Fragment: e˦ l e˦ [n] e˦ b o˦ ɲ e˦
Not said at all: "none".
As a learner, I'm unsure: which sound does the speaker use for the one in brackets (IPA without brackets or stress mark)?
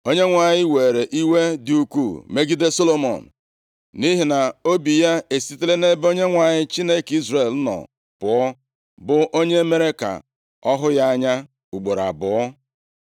n